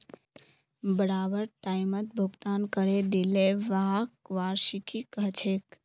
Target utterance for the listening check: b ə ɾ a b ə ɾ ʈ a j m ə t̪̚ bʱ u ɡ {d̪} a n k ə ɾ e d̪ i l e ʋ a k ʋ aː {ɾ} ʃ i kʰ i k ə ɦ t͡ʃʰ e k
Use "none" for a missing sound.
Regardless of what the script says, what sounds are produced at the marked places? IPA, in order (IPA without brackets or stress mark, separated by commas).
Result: t̪, ɾ